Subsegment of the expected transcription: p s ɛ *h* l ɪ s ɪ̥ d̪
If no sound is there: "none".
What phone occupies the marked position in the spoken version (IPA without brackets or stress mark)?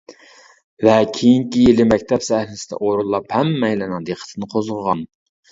h